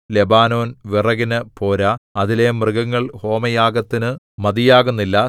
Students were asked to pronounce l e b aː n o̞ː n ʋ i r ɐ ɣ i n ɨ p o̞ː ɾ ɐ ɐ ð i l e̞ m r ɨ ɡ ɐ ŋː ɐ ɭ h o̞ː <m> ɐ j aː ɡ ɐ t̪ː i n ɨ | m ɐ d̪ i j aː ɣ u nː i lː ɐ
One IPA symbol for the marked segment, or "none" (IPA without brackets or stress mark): m